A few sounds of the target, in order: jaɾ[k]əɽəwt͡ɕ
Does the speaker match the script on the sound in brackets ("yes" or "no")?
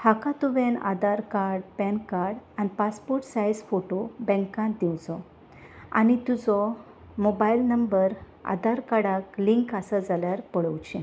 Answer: no